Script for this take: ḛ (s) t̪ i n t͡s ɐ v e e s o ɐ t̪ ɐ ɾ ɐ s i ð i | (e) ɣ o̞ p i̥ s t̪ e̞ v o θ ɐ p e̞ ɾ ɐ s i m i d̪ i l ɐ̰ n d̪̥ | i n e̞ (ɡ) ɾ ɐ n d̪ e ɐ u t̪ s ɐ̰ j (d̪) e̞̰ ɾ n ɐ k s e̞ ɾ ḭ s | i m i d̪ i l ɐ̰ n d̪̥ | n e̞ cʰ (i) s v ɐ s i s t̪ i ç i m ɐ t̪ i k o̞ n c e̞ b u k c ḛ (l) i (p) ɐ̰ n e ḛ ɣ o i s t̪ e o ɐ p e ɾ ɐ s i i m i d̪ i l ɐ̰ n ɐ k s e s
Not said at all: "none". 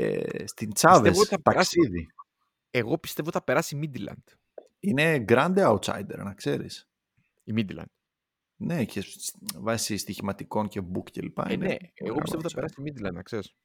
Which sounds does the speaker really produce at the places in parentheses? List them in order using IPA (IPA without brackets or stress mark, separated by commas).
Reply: s, e, ɡ, d̪, e, l, p